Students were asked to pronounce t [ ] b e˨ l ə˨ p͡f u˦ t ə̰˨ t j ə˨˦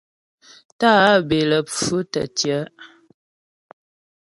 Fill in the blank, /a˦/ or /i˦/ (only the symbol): a˦